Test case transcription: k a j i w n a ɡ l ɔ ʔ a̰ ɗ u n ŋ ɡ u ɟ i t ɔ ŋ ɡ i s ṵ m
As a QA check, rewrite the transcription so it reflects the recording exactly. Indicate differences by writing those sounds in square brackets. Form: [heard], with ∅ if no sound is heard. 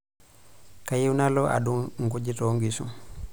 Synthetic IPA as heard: k a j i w n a [∅] l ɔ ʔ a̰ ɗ u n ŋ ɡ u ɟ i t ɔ ŋ ɡ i s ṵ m

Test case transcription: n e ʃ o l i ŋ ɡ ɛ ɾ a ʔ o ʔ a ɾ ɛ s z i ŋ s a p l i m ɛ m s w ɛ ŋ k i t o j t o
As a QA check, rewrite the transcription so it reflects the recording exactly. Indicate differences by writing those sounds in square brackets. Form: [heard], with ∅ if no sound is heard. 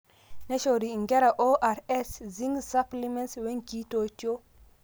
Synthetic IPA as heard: n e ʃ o [ɾ] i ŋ ɡ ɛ ɾ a ʔ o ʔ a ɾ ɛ s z i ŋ s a p l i m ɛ [n] s w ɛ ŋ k i t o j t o

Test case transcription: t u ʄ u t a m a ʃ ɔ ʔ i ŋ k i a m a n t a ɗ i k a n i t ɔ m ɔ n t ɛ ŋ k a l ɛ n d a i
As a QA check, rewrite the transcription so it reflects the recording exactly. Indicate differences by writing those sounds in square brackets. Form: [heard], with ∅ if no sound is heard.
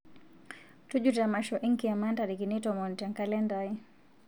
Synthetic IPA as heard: t u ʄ u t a m a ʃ ɔ ʔ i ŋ k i a m a n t a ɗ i k [i] n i t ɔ m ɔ n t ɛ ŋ k a l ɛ n d a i

